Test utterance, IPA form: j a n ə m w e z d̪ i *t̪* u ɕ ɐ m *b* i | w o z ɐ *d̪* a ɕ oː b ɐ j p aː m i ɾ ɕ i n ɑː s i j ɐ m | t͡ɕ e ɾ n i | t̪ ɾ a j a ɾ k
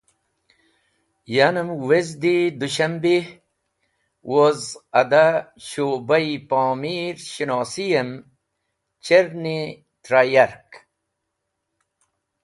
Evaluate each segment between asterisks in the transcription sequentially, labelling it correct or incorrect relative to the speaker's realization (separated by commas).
incorrect, correct, correct